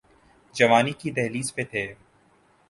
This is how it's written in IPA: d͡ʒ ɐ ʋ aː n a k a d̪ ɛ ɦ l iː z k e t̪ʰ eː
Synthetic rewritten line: d͡ʒ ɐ ʋ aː n i k i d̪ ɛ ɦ l iː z p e t̪ʰ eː

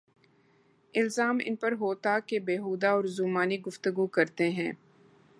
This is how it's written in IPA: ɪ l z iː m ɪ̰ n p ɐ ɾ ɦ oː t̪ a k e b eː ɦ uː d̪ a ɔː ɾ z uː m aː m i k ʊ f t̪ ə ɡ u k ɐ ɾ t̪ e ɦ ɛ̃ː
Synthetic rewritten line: ɪ l z aː m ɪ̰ n p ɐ ɾ ɦ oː t̪ a k e b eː ɦ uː d̪ a ɔː ɾ z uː m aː n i ɡ ʊ f t̪ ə ɡ u k ɐ ɾ t̪ e ɦ ɛ̃ː

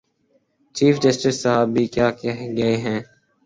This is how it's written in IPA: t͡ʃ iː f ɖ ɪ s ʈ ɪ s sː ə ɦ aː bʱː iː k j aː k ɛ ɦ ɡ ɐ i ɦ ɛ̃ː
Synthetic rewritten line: t͡ʃ iː f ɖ ɪ s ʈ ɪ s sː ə ɦ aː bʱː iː k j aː k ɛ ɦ ɡ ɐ e ɦ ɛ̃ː

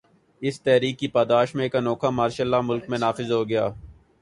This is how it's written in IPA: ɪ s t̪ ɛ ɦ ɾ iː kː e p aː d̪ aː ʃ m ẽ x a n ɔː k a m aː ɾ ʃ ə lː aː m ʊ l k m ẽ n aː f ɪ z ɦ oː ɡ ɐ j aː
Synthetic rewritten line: ɪ s t̪ ɛ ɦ ɾ iː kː i p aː d̪ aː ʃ m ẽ k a n ɔː k a m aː ɾ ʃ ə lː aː m ʊ l k m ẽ n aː f ɪ z ɦ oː ɡ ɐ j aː

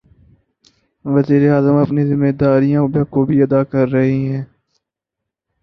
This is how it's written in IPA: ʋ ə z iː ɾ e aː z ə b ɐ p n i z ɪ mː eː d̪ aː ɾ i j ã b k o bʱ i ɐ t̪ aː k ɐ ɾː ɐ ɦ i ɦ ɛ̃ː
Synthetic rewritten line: ʋ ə z iː ɾ e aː z ə m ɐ p n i z ɪ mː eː d̪ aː ɾ i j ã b k o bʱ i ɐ d̪ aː k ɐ ɾː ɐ ɦ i ɦ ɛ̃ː

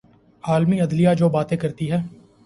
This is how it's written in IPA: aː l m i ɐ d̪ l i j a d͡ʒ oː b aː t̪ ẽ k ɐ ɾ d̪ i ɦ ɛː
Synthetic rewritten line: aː l m i ɐ d̪ l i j a d͡ʒ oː b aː t̪ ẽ k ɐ ɾ t̪ i ɦ ɛː

